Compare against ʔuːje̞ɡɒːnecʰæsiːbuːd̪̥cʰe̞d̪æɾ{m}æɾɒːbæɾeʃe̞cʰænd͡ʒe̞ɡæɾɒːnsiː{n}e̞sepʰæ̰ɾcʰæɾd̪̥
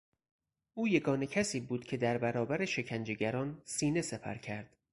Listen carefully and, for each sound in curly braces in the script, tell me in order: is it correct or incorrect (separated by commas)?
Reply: incorrect, correct